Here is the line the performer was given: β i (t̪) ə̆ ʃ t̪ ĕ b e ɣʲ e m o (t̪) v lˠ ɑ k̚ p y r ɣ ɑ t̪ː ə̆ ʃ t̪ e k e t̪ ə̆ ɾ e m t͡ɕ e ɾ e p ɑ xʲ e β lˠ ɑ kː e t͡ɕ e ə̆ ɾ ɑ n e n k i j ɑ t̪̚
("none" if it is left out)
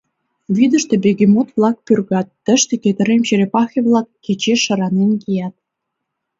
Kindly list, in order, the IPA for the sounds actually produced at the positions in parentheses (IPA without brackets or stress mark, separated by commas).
d̪, t̪